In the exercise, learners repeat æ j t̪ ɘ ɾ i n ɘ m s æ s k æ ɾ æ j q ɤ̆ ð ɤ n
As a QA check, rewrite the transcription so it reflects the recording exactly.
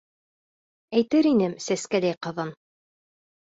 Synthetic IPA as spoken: æ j t̪ ɘ ɾ i n ɘ m s æ s k æ l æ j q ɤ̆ ð ɤ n